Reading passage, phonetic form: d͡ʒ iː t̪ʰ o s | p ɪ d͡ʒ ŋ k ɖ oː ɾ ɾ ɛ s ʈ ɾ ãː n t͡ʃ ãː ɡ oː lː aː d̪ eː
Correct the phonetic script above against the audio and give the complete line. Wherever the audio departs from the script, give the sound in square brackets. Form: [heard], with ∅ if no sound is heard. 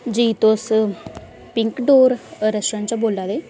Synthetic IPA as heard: d͡ʒ iː [t̪] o s | p ɪ [∅] ŋ k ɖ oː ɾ ɾ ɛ s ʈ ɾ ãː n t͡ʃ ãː [b] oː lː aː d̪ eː